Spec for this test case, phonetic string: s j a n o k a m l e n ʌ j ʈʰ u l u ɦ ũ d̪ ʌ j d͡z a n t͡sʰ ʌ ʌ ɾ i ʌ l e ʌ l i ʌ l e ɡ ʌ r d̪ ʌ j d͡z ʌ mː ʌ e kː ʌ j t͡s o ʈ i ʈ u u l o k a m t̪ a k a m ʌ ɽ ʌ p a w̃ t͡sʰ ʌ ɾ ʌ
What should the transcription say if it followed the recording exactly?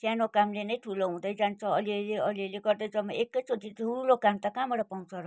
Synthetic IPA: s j a n o k a m l e n ʌ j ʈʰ u l o ɦ ũ d̪ ʌ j d͡z a n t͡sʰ ʌ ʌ l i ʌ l e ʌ l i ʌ l e ɡ ʌ r d̪ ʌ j d͡z ʌ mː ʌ e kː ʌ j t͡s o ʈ i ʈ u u l o k a m t̪ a k a m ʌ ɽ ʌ p a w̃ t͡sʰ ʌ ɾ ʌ